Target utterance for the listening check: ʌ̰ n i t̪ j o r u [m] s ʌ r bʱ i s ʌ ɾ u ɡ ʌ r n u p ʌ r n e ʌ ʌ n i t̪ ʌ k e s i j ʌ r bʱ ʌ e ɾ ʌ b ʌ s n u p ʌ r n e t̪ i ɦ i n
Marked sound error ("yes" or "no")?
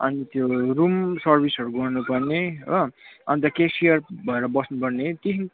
no